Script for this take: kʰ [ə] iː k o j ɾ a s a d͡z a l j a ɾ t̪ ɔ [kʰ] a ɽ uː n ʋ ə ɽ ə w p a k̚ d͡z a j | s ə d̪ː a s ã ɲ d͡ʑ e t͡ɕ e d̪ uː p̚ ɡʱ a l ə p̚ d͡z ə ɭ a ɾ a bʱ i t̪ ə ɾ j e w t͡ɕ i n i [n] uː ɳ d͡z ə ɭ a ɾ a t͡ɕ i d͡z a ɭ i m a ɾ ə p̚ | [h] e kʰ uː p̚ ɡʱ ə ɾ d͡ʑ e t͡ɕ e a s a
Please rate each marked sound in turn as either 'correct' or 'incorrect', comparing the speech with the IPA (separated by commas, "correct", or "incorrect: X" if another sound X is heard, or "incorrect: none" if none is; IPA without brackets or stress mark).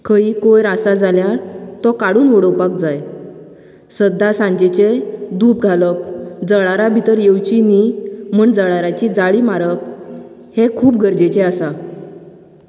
correct, incorrect: k, incorrect: m, correct